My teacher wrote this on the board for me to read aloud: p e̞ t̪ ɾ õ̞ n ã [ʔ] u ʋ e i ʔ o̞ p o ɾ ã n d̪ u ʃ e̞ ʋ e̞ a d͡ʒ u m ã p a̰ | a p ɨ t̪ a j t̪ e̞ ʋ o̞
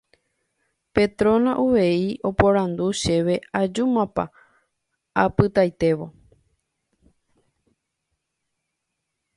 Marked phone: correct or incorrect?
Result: correct